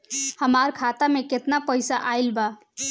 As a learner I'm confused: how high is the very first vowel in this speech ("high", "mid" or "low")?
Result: mid